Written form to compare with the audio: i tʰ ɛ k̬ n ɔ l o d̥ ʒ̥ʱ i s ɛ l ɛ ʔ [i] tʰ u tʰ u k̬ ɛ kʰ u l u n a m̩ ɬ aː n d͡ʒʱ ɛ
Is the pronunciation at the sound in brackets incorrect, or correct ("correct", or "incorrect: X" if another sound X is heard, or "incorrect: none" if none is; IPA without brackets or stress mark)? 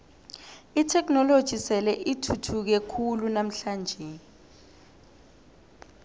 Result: correct